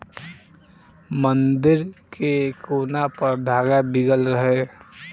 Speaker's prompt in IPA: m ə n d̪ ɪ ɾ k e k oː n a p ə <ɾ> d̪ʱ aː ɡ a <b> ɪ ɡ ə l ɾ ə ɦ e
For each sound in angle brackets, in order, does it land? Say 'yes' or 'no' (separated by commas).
yes, yes